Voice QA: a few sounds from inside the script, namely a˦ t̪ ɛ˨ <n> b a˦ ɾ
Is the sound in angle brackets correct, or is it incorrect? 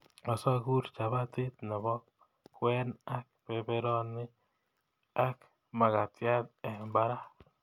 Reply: incorrect: m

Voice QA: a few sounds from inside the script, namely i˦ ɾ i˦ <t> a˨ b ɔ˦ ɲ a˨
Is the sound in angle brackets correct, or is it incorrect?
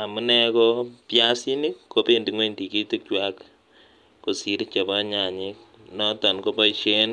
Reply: incorrect: t͡ʃ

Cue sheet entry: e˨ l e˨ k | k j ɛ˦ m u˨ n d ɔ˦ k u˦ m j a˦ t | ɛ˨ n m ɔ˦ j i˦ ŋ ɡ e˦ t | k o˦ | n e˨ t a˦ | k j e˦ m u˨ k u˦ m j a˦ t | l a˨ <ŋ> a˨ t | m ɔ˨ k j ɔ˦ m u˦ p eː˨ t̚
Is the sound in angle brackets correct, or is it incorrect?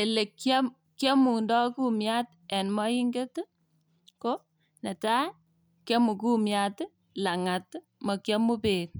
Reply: correct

